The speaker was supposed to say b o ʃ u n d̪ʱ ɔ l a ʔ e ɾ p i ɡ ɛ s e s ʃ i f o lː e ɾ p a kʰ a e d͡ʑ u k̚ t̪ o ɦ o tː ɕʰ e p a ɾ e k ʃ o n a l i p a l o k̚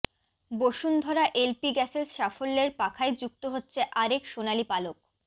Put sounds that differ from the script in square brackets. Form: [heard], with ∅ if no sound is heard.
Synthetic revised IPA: b o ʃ u n d̪ʱ ɔ [ɾ] a ʔ e [l] p i ɡ ɛ s e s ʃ [a] f o lː e ɾ p a kʰ a e d͡ʑ u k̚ t̪ o ɦ o tː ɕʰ e [ʔ] a ɾ e k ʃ o n a l i p a l o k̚